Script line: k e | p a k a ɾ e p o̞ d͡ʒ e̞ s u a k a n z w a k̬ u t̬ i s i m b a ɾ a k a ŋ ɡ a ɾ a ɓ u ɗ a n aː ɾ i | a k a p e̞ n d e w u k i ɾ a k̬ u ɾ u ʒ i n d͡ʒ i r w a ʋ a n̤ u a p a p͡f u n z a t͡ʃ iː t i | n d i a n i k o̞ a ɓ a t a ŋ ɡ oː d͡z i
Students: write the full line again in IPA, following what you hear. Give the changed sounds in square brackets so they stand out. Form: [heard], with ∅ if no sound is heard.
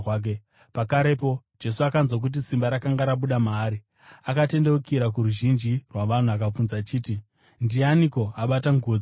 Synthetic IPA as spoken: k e | p a k a ɾ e p o̞ d͡ʒ e̞ s u a k a n z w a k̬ u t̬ i s i m b a ɾ a k a ŋ ɡ a ɾ a ɓ u ɗ a [m] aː ɾ i | a k a [t] e̞ n d e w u k i ɾ a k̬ u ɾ u ʒ i n d͡ʒ i r w a ʋ a n̤ u a [k] a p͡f u n z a t͡ʃ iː t i | n d i a n i k o̞ a ɓ a t a ŋ ɡ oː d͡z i